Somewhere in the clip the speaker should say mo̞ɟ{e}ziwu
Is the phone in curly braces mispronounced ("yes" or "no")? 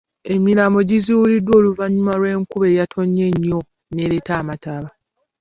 yes